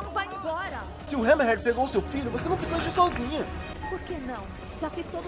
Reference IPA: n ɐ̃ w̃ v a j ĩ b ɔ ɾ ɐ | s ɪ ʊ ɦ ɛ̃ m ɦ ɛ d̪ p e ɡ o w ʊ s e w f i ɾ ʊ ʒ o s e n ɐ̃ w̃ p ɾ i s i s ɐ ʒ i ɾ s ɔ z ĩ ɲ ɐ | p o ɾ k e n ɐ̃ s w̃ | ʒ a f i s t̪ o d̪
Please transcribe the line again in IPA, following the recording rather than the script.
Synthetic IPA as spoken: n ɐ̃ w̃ v a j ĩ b ɔ ɾ ɐ | s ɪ ʊ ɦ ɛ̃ m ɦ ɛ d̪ p e ɡ o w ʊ s e w f i ʎ ʊ v o s e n ɐ̃ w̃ p ɾ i s i z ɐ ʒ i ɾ s ɔ z ĩ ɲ ɐ | p o ɾ k e n ɐ̃ w̃ | ʒ a f i s t̪ o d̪